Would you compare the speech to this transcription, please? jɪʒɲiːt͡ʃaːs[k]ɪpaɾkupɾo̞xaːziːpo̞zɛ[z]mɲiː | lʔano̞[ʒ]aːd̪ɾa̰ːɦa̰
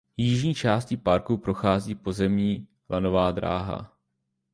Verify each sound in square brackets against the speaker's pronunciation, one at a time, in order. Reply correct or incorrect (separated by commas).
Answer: incorrect, incorrect, incorrect